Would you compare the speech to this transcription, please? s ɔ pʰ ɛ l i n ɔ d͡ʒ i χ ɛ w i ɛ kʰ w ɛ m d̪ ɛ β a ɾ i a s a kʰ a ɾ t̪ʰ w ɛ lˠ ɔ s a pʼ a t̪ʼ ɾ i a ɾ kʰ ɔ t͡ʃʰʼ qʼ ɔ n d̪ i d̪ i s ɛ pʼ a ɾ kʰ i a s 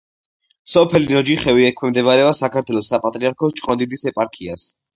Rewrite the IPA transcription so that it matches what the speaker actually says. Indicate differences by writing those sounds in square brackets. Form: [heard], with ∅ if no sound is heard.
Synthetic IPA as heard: s ɔ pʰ ɛ l i n ɔ d͡ʒ i χ ɛ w i ɛ kʰ w ɛ m d̪ ɛ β a ɾ [ɛ] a s a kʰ a ɾ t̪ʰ w ɛ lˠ ɔ s a pʼ a t̪ʼ ɾ i a ɾ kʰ ɔ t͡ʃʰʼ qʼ ɔ n d̪ i d̪ i s ɛ pʼ a ɾ kʰ i a s

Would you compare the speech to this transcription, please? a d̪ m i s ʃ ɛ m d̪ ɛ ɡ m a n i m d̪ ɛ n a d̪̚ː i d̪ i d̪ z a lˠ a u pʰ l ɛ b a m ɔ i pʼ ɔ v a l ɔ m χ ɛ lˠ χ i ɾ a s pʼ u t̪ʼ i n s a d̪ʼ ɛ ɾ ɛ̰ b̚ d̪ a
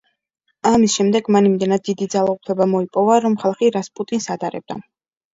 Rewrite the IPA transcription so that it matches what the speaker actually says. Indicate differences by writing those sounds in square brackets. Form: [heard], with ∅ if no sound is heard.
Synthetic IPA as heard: a [∅] m i s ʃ ɛ m d̪ ɛ ɡ m a n i m d̪ ɛ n a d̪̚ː i d̪ i d̪ z a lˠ a u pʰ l ɛ b a m ɔ i pʼ ɔ v a [ɾ] ɔ m χ [a] lˠ χ i ɾ a s pʼ u t̪ʼ i n s a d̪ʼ [a] ɾ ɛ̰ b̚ d̪ a

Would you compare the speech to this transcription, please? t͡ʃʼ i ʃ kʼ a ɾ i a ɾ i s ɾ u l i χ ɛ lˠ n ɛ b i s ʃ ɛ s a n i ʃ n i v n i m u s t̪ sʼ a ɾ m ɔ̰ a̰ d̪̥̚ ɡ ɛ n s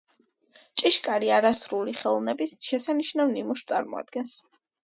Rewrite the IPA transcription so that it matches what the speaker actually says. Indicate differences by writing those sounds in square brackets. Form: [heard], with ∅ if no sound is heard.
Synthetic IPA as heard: t͡ʃʼ i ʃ kʼ a ɾ i a ɾ [a] s ɾ u l i χ ɛ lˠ n ɛ b i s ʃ ɛ s a n i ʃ n [a] v n i m u [ʃ] t̪ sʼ a ɾ m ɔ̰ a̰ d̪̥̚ ɡ ɛ n s

